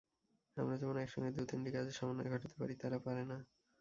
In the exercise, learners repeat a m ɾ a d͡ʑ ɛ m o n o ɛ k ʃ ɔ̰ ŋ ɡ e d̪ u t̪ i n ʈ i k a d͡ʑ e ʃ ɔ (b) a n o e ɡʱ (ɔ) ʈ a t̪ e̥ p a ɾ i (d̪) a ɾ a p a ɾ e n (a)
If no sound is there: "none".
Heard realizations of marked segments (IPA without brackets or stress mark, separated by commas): m, ɔ, t̪, a